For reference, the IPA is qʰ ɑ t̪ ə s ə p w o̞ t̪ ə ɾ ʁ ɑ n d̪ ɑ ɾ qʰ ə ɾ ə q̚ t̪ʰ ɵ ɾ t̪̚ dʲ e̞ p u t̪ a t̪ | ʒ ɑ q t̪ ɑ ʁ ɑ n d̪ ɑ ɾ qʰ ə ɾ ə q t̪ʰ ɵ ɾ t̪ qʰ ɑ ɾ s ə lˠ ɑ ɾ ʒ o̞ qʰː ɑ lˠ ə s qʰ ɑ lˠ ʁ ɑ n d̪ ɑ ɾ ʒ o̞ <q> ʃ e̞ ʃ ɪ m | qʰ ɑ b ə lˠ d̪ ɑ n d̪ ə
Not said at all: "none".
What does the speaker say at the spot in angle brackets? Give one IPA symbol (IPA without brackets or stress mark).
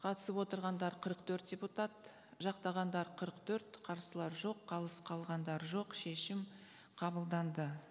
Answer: q